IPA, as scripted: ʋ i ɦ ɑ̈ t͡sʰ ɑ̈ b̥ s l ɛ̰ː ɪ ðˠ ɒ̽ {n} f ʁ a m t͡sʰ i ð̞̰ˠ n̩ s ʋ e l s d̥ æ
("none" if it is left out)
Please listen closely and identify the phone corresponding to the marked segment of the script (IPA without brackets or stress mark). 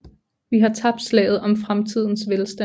m